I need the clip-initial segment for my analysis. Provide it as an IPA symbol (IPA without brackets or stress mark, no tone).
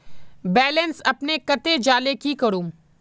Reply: b